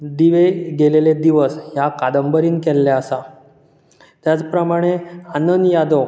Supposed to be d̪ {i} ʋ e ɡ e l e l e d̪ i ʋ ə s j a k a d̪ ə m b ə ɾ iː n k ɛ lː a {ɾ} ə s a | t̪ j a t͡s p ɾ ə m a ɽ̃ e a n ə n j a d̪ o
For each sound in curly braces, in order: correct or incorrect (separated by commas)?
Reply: correct, incorrect